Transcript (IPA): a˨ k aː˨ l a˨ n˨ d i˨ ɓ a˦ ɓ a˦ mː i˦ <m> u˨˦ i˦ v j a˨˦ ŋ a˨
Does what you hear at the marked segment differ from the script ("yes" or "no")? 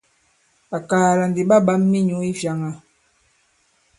yes